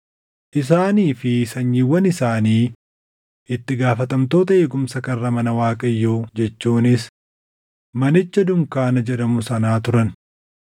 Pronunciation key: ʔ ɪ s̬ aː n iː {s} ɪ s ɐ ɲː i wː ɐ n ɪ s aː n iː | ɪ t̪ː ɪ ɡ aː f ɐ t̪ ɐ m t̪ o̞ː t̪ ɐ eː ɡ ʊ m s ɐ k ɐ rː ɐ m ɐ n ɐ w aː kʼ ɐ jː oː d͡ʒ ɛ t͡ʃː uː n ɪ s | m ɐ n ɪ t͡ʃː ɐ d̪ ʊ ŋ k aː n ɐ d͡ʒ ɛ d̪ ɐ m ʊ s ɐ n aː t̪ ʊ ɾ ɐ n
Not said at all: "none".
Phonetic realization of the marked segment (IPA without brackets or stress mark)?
f